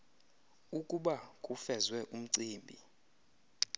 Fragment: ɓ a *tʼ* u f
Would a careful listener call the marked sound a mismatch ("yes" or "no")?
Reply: yes